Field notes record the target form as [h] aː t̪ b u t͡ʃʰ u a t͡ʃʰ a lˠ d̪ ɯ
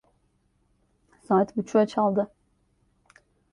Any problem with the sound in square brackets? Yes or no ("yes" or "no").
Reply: yes